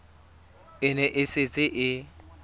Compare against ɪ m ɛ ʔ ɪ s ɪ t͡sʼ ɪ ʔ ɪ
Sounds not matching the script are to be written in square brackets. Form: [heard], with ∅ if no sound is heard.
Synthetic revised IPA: ɪ [n] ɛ ʔ ɪ s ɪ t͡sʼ ɪ ʔ ɪ